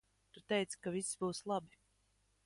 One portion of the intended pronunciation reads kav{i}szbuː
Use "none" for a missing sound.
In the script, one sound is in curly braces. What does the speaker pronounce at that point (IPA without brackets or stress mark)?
i